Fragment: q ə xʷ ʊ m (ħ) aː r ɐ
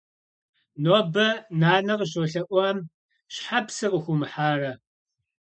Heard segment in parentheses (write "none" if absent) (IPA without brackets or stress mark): ħ